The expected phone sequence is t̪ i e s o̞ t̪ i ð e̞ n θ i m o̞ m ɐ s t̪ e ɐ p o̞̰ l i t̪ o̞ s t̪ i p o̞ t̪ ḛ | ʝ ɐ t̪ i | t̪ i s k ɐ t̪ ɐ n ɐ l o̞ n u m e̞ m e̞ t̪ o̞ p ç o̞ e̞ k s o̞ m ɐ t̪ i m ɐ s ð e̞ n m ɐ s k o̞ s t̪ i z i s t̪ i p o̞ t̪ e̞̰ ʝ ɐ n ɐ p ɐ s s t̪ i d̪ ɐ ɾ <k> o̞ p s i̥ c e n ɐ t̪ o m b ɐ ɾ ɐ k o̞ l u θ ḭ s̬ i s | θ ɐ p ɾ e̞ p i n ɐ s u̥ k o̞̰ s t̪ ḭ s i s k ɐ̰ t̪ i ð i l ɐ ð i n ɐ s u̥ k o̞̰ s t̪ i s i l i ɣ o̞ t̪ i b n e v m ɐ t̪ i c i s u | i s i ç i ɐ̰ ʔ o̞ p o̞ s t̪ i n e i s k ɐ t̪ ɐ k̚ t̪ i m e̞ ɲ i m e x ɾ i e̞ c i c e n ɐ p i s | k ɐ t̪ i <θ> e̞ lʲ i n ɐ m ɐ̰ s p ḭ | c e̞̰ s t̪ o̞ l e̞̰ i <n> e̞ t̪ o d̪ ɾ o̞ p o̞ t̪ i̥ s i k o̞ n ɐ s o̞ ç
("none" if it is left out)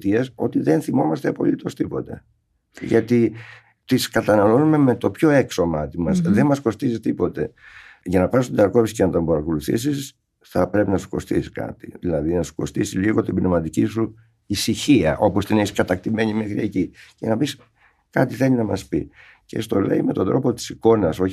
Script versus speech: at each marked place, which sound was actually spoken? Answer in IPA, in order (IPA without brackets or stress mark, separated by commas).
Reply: k, θ, m